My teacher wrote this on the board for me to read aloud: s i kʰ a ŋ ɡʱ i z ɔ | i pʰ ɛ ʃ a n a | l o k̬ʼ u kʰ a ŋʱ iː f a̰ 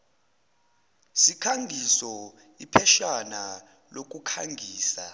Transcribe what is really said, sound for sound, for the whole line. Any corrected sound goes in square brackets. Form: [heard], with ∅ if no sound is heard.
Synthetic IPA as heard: s i kʰ a ŋ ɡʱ i [s] ɔ | i pʰ ɛ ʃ a n a | l o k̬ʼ u kʰ a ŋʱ iː [s] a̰